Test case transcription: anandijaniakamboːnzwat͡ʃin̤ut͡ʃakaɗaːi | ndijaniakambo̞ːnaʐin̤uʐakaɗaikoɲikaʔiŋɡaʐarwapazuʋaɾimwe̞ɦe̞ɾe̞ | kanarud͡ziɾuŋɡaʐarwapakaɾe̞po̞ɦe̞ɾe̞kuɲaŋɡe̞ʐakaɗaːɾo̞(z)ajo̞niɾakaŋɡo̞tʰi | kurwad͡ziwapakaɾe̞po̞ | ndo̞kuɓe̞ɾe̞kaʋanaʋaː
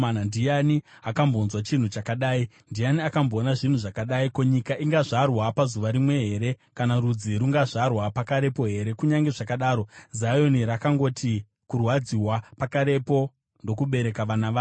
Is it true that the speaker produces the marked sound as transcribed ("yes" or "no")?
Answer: yes